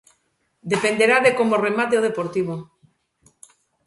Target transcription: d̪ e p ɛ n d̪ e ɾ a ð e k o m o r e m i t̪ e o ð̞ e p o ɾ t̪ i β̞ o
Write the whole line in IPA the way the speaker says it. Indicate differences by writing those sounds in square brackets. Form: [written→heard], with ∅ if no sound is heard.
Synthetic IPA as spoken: d̪ e p [ɛ→e] n d̪ e ɾ a ð e k o m o r e m [i→a] t̪ e o ð̞ e p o ɾ t̪ i β̞ o